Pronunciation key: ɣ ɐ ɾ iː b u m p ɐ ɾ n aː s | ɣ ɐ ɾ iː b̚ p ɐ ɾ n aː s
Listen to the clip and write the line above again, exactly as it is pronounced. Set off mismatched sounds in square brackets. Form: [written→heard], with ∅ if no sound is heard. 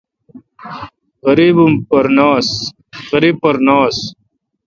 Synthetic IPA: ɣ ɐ ɾ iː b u m p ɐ ɾ n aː s | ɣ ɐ ɾ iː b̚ p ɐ ɾ n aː s

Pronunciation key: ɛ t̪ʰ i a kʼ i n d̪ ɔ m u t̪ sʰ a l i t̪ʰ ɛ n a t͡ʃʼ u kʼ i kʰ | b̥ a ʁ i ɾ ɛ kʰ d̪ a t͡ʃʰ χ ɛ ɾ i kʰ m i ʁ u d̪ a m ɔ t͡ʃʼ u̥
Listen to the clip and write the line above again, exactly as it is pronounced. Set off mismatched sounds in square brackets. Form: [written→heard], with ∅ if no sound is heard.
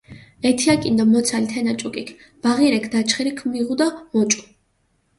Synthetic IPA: ɛ t̪ʰ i a kʼ i n d̪ ɔ m [u→ɔ] t̪ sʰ a l i t̪ʰ ɛ n a t͡ʃʼ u kʼ i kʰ | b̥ a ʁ i ɾ ɛ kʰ d̪ a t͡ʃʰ χ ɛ ɾ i kʰ m i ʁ u d̪ a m ɔ t͡ʃʼ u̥

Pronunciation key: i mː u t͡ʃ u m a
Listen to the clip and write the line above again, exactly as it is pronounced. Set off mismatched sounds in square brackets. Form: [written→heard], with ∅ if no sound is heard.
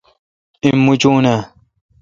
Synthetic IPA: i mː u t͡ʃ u [m→n] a

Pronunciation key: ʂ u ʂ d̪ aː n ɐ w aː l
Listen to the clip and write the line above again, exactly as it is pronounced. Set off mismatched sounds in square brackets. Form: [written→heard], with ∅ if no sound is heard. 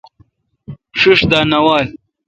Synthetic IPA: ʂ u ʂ d̪ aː n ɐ w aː l

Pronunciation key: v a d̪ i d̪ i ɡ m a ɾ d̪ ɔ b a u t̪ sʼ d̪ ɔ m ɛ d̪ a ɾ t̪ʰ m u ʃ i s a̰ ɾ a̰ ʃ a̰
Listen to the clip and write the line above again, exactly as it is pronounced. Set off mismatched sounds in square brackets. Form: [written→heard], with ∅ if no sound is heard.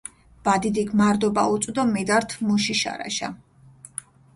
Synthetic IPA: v a d̪ i d̪ i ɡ m a ɾ d̪ ɔ b a u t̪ sʼ d̪ ɔ m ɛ d̪ a ɾ t̪ʰ m u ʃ i [s→ʃ] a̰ ɾ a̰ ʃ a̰

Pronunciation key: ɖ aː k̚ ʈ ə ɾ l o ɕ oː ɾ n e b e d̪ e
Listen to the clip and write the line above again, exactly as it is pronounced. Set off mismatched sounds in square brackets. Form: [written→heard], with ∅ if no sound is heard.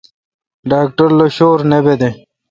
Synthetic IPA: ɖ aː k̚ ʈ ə ɾ l o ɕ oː ɾ n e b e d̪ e

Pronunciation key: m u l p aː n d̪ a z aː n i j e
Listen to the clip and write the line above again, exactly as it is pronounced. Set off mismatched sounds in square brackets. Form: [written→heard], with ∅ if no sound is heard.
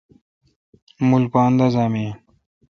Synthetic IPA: m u l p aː n d̪ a z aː [n→m] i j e

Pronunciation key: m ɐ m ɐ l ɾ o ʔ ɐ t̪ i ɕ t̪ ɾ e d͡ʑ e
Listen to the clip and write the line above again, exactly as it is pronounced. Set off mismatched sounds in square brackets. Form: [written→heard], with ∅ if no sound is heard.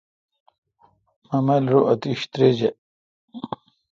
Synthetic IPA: m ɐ m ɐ l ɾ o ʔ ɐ t̪ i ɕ t̪ ɾ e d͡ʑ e

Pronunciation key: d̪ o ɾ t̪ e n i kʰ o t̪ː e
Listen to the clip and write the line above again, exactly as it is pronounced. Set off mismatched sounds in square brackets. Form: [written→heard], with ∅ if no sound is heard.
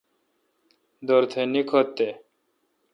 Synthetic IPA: d̪ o ɾ [t̪→t̪ʰ] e n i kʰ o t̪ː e

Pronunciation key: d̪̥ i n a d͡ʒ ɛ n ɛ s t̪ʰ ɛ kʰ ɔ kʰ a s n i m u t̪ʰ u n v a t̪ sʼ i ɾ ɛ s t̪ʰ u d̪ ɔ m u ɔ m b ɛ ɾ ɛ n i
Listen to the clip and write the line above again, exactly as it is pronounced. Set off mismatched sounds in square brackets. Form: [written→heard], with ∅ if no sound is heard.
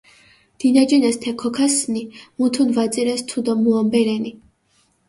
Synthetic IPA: d̪̥ i n a d͡ʒ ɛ n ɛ s t̪ʰ ɛ kʰ ɔ kʰ a s n i m u t̪ʰ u n v a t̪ sʼ i ɾ ɛ s t̪ʰ u d̪ ɔ m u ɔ m b ɛ ɾ ɛ n i

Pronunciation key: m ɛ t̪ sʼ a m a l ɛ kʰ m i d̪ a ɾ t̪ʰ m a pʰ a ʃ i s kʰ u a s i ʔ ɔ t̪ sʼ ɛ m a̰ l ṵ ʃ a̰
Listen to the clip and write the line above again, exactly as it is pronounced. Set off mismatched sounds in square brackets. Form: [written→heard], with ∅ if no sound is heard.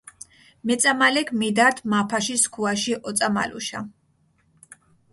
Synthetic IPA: m ɛ t̪ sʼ a m a l ɛ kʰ m i d̪ a ɾ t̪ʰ m a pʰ a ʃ i s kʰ u a [s→ʃ] i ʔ ɔ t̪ sʼ [ɛ→a] m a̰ l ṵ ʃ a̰

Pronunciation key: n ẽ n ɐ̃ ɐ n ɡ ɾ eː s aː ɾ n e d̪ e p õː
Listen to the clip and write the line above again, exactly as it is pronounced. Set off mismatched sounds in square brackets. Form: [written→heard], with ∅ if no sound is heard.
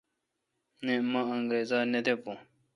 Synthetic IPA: n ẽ [n→m] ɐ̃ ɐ [n→ŋ] ɡ ɾ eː [s→z] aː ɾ n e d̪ e p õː

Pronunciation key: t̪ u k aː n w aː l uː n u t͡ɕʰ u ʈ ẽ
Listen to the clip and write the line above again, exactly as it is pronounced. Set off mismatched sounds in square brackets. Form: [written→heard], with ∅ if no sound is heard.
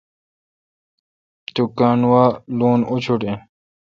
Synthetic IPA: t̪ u k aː n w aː l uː n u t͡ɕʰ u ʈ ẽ

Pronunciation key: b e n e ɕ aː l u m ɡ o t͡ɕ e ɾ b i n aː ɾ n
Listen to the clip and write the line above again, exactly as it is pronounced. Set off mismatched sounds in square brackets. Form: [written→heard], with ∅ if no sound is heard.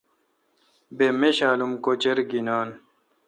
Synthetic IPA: b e [n→m] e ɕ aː l u m [ɡ→k] o t͡ɕ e ɾ [b→ɡ] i n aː [ɾ→∅] n

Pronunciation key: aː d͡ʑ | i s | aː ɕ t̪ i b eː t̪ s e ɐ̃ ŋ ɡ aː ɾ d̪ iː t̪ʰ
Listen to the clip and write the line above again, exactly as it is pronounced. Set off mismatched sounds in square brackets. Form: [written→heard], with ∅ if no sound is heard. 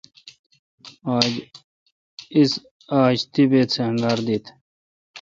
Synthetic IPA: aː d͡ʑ | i s | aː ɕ t̪ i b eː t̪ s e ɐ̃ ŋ ɡ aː ɾ d̪ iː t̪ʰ

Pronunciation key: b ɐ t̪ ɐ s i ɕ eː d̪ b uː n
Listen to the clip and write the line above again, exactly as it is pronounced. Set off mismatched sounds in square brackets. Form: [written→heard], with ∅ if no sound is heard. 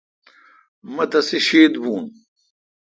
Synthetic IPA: [b→m] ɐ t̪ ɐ s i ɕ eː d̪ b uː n

